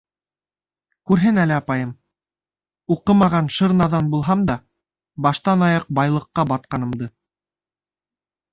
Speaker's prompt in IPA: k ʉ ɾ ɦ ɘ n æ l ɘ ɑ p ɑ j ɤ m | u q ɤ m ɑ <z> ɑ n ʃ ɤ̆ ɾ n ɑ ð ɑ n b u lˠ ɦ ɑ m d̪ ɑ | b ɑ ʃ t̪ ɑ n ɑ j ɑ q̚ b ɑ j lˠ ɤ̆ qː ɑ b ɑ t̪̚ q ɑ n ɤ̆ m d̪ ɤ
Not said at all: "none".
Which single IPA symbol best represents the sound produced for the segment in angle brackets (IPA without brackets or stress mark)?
ʁ